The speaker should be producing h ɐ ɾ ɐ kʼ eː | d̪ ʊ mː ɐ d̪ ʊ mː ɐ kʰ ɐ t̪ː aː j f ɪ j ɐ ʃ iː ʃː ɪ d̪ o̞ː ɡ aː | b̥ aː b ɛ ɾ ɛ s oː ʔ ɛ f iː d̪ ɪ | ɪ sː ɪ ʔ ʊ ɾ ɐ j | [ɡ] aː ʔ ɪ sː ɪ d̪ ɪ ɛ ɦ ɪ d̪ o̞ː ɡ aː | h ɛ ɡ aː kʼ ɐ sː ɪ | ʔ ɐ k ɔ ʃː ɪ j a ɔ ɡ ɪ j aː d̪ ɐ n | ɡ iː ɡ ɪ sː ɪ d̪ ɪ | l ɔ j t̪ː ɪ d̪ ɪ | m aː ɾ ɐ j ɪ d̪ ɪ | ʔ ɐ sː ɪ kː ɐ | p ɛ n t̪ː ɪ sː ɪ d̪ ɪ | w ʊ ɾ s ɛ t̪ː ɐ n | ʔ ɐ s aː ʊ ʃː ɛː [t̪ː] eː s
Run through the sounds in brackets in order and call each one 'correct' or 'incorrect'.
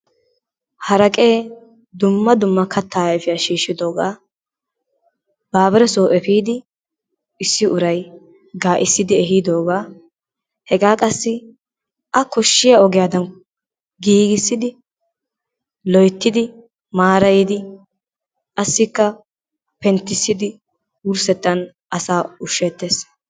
correct, correct

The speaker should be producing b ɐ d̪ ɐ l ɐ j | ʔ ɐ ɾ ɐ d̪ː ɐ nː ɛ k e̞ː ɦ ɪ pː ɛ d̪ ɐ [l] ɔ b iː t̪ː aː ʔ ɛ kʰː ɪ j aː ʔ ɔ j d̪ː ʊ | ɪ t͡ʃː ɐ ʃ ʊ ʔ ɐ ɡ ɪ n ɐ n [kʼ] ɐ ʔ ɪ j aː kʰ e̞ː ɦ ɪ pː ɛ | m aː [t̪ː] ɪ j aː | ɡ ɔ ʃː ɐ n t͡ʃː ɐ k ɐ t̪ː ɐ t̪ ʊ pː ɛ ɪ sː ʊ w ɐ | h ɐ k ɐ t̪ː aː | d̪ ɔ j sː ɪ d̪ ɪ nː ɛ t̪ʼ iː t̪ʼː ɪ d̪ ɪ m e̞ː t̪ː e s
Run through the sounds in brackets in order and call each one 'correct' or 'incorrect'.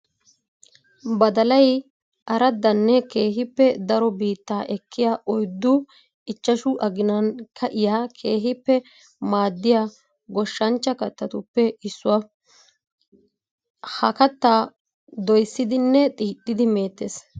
incorrect, incorrect, incorrect

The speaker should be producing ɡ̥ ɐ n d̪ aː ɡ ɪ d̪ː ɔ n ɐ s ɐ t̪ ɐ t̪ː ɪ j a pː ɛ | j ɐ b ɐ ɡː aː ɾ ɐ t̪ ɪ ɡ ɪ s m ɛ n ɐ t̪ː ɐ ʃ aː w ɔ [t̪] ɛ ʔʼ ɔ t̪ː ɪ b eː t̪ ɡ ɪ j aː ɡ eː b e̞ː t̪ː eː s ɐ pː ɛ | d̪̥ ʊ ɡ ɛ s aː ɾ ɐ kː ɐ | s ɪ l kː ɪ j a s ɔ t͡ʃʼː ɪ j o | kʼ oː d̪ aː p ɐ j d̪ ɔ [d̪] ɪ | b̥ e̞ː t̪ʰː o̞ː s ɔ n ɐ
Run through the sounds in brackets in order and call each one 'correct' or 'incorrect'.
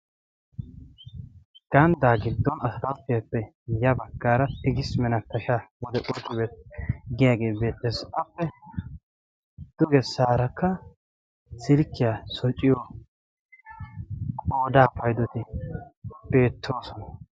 incorrect, incorrect

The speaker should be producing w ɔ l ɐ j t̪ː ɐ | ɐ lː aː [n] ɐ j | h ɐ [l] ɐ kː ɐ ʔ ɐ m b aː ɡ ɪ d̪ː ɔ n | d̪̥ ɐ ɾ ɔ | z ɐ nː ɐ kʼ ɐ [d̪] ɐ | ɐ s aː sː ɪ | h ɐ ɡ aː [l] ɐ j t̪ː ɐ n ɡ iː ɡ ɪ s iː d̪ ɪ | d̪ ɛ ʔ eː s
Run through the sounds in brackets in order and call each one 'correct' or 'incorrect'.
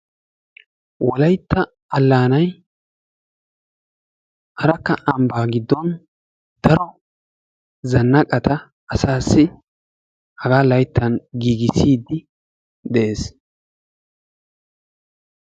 correct, incorrect, incorrect, correct

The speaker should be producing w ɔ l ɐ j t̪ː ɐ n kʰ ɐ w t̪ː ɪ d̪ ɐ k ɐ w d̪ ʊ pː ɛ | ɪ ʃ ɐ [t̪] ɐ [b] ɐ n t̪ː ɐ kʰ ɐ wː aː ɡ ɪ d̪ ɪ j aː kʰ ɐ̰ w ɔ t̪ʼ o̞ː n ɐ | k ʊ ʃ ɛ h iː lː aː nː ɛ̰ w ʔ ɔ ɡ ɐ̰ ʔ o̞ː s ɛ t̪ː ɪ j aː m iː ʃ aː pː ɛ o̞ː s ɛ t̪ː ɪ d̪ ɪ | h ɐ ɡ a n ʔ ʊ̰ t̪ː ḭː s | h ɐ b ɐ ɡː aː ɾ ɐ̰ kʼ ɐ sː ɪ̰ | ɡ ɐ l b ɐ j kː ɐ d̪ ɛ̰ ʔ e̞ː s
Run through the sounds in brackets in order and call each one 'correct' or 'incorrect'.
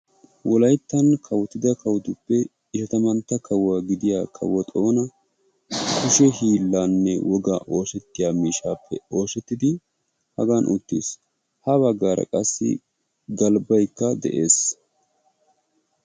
correct, incorrect

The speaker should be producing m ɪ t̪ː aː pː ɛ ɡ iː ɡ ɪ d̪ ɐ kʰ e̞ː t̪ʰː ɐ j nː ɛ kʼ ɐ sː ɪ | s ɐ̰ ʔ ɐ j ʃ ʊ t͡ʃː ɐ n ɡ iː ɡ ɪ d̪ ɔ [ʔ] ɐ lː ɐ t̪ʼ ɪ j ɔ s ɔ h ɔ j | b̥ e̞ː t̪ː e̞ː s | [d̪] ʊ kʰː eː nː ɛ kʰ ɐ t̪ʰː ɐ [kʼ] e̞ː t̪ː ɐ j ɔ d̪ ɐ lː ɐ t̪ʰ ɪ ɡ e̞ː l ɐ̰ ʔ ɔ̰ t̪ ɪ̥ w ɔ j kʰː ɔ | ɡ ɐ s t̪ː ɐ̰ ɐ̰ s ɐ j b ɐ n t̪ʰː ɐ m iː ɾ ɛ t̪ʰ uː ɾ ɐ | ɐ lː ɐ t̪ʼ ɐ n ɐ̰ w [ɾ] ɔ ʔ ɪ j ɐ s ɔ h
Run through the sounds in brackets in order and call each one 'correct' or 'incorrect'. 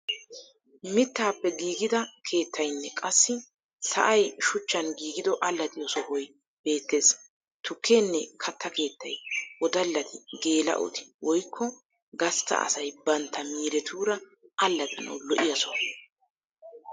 correct, incorrect, incorrect, incorrect

